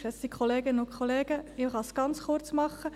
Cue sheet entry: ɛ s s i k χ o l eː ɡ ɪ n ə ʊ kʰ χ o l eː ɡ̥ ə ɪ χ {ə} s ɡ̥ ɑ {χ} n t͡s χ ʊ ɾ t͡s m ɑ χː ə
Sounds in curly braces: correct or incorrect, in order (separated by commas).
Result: incorrect, incorrect